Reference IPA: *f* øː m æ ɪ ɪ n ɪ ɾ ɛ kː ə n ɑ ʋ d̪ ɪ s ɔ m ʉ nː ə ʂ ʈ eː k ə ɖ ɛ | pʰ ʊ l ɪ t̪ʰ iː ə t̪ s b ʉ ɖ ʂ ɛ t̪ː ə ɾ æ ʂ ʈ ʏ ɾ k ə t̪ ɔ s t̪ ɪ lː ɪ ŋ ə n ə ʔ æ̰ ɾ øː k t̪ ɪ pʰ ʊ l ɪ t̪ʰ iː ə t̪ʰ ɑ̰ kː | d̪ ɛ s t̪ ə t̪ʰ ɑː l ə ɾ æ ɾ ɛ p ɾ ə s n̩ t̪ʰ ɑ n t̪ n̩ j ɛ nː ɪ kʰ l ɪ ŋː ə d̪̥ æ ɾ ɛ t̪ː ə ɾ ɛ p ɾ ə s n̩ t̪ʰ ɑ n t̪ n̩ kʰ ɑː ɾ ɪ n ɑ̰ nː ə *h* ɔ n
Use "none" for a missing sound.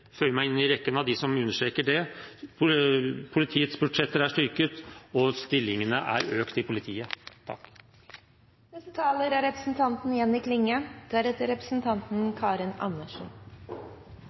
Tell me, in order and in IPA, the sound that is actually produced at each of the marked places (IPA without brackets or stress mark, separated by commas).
f, ʂ